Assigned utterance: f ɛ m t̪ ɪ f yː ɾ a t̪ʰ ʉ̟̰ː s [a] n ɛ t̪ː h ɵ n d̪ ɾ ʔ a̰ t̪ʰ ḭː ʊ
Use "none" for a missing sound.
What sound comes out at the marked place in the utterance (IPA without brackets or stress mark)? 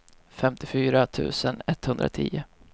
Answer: ə